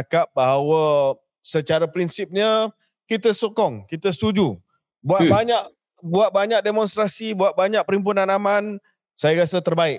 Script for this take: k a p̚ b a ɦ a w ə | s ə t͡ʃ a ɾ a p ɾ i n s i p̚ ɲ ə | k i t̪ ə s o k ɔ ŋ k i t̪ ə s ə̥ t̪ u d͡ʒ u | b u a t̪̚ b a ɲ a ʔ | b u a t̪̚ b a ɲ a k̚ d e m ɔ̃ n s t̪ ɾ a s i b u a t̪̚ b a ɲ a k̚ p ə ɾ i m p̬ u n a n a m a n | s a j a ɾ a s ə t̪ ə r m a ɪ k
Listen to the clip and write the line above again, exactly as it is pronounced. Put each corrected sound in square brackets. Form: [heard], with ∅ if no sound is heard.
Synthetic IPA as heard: k a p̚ b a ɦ a w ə | s ə t͡ʃ a ɾ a p ɾ i n s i p̚ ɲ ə | k i t̪ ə s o k ɔ ŋ k i t̪ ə s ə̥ t̪ u d͡ʒ u | b u a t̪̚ b a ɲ a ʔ | b u a t̪̚ b a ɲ a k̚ d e m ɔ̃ n s t̪ ɾ a s i b u a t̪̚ b a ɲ a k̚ p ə ɾ i m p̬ u n a n a m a n | s a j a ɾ a s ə t̪ ə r [b] a ɪ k